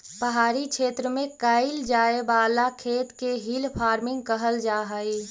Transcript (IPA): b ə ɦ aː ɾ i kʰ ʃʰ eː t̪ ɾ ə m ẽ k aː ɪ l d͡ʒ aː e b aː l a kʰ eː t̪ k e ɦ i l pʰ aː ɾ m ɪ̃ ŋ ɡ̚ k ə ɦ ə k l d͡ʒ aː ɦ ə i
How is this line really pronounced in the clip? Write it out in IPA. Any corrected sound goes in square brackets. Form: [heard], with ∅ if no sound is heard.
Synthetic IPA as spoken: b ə ɦ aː ɾ i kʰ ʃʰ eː t̪ ɾ ə m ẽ k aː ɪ l d͡ʒ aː e b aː l a kʰ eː t̪ k e ɦ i l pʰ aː ɾ m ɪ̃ ŋ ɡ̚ k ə ɦ ə [∅] l d͡ʒ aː ɦ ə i